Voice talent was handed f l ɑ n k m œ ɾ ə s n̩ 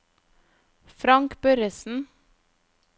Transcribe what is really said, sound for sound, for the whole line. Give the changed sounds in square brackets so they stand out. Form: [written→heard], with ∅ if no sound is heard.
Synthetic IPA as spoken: f [l→ɾ] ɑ [n→ŋ] k [m→b] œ ɾ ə s n̩